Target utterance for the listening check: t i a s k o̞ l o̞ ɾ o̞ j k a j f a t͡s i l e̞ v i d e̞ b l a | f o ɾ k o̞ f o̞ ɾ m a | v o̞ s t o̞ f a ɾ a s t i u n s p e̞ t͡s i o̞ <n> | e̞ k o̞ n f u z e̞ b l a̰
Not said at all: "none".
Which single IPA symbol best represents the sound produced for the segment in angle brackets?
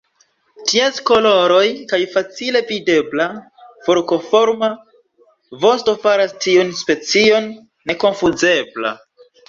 nː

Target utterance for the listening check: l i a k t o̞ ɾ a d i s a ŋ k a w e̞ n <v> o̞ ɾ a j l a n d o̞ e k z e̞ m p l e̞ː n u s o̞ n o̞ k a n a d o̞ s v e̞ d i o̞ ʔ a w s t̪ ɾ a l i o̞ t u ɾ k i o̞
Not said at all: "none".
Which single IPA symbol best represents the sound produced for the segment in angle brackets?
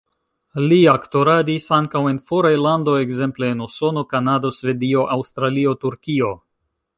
f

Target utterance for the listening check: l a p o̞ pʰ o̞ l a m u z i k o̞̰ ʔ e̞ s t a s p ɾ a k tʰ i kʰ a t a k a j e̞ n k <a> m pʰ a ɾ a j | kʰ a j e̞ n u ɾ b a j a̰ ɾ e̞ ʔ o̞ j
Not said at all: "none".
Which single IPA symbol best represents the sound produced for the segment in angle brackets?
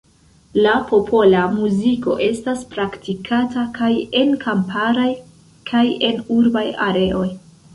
a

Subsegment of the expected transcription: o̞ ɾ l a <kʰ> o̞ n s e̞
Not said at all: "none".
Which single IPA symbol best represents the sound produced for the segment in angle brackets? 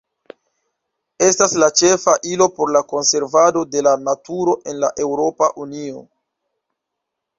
k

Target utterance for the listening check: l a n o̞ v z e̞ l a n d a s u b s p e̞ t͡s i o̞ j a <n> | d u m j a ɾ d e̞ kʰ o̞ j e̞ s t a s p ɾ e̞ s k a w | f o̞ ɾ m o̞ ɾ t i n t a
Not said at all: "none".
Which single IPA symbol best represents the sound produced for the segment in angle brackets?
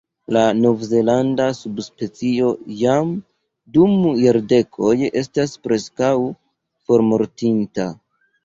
m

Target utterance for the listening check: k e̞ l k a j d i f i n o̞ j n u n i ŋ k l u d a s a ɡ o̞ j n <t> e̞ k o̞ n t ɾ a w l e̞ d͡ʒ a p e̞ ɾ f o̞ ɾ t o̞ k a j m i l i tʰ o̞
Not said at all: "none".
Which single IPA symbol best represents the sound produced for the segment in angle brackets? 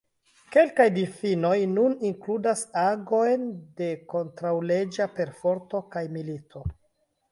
d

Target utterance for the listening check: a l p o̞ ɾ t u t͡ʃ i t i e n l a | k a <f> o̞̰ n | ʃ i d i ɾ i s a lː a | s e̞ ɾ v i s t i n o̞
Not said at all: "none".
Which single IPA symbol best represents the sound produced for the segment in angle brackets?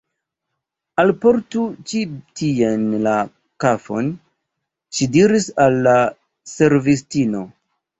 f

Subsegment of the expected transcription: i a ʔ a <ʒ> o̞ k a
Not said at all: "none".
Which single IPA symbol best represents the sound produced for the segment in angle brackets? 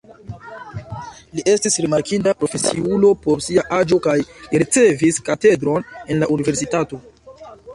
d͡ʒ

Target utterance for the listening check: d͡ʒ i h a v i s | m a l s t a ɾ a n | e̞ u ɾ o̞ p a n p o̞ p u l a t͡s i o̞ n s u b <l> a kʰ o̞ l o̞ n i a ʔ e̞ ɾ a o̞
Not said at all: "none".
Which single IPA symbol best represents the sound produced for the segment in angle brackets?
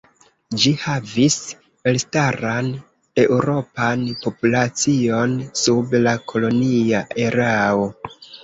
l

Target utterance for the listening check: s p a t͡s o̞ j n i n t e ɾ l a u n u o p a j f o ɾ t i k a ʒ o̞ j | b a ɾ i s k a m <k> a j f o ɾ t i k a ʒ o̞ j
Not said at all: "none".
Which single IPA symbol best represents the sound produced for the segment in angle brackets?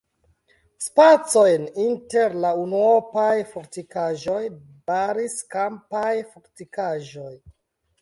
p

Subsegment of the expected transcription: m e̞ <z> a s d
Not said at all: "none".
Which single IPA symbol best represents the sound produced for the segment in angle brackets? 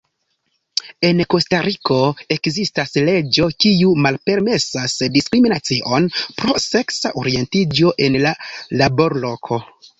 s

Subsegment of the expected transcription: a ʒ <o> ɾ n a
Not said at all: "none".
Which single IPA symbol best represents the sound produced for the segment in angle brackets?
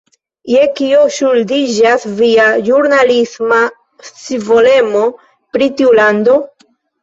u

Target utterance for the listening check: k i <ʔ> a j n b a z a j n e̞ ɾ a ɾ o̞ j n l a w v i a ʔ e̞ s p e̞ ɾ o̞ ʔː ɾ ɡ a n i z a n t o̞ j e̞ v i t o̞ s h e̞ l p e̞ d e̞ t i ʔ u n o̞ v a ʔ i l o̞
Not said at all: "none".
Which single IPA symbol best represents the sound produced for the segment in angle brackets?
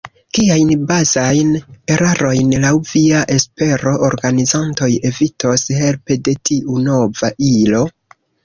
none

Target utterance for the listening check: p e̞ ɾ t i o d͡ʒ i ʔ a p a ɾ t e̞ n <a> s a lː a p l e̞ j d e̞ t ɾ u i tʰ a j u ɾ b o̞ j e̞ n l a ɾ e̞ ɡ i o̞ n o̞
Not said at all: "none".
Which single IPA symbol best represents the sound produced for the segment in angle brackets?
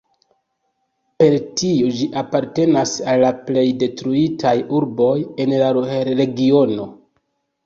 a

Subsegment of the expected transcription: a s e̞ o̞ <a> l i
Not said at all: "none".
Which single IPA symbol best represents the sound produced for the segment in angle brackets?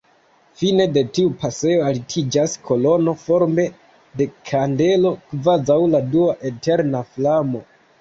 a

